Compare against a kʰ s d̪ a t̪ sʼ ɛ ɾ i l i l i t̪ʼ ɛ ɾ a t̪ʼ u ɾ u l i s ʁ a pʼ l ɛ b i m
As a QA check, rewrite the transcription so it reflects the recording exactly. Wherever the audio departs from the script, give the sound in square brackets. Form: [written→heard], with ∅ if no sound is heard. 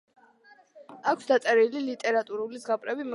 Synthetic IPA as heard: a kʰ s d̪ a t̪ sʼ ɛ ɾ i l i l i t̪ʼ ɛ ɾ a t̪ʼ u ɾ u l i [s→z] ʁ a pʼ [l→ɾ] ɛ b i m